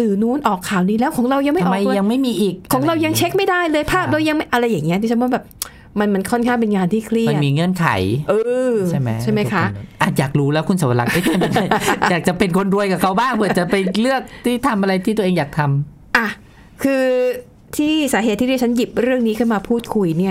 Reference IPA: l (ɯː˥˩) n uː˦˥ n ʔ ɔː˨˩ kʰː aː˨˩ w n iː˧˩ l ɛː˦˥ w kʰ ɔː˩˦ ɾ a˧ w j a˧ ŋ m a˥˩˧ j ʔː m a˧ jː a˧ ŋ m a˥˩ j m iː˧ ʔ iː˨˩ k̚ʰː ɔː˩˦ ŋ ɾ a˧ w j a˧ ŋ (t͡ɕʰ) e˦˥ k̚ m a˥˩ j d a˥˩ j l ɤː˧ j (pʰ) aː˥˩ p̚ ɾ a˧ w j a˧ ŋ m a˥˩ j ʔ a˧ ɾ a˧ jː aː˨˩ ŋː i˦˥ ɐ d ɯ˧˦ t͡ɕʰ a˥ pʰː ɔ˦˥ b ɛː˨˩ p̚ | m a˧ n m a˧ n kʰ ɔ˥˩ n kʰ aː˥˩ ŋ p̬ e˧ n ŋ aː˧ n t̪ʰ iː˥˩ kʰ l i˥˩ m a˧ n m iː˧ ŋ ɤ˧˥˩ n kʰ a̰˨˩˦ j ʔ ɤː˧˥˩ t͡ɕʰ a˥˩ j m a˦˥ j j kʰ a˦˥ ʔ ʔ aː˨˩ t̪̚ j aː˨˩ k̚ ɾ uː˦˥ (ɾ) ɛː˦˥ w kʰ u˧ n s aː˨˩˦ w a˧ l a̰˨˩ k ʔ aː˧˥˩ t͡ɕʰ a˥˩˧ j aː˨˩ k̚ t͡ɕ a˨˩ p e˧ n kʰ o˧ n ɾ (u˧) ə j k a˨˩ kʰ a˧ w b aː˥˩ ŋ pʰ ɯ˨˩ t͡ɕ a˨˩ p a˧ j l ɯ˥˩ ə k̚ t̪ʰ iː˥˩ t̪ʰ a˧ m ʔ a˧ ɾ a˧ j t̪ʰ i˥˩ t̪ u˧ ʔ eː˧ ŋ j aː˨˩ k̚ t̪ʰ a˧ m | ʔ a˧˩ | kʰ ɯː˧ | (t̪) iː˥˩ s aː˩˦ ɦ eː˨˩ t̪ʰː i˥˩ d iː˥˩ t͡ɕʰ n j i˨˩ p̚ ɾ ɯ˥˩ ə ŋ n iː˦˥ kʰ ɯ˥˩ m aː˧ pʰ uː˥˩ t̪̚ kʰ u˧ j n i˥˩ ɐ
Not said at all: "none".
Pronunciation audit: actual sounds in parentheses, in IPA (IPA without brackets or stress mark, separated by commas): ɯː˨˩, t͡ɕʰ, pʰ, l, u˧, t̪ʰ